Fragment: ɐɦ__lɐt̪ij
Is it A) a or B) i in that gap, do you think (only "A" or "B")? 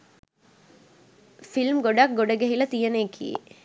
B